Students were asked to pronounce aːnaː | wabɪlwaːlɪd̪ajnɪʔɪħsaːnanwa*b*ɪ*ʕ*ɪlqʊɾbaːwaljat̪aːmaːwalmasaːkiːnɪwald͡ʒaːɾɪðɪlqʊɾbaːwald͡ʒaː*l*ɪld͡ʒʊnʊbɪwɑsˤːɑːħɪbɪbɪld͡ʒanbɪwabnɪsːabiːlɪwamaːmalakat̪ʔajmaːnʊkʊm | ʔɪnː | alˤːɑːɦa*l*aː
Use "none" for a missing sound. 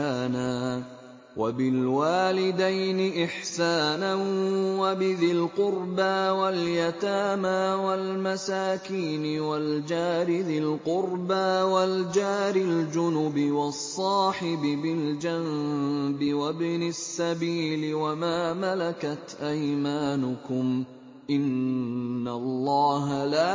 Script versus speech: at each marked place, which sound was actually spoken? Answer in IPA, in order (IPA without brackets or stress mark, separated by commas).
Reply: b, ð, ɾ, l